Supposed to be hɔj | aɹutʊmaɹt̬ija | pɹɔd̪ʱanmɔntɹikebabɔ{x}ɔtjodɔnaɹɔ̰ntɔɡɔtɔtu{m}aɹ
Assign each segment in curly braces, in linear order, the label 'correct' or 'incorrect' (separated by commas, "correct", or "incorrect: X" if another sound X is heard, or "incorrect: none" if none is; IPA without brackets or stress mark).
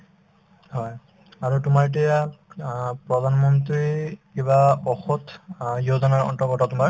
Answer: correct, correct